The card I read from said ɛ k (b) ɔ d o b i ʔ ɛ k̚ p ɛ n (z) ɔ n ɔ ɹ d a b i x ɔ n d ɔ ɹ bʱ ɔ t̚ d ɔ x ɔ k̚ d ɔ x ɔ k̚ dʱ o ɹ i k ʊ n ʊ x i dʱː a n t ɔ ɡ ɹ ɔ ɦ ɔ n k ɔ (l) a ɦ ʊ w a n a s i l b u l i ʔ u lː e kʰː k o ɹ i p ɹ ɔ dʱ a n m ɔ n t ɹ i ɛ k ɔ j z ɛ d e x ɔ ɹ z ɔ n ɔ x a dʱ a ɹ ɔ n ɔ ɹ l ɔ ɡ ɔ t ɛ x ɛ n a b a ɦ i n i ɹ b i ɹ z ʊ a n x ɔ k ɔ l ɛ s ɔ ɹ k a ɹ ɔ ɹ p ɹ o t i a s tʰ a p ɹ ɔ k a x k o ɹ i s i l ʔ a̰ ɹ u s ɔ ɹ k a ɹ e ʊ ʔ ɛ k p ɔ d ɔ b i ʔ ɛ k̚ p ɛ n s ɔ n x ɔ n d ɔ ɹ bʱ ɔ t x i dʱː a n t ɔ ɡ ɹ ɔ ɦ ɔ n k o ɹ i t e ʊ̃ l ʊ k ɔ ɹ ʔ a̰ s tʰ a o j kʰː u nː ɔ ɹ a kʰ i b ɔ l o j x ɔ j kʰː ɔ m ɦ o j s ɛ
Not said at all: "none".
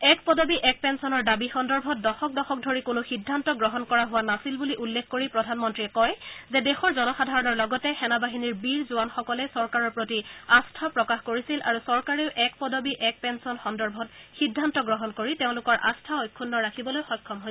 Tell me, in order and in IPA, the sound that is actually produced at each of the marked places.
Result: p, s, ɹ

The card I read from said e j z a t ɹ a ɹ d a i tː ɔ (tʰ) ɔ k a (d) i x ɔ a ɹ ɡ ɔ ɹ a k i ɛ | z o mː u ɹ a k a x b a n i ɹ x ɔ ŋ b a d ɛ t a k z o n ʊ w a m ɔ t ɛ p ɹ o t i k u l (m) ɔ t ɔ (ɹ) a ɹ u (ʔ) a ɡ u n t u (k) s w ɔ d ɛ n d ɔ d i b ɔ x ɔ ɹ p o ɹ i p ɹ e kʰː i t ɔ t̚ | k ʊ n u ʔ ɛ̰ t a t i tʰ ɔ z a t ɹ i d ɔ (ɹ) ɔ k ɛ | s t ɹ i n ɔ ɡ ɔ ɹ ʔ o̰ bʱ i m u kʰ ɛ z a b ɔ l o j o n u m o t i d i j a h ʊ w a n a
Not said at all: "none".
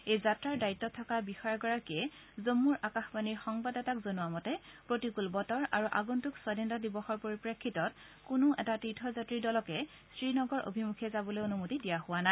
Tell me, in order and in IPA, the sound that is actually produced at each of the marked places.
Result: tʰ, b, b, ɹ, ʔ, k, l

